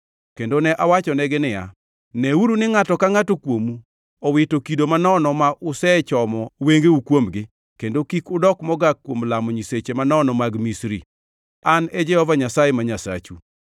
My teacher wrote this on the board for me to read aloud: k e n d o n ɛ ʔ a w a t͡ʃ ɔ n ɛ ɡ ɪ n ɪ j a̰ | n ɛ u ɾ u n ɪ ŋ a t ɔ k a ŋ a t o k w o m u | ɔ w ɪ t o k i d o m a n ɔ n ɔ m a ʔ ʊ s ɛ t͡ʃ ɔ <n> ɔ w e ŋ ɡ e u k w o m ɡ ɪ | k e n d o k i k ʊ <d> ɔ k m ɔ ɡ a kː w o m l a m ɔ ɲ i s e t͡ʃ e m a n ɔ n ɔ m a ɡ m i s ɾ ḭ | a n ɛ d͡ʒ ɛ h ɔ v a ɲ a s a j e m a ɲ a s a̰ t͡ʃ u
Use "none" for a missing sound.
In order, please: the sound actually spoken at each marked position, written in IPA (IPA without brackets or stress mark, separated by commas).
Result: m, d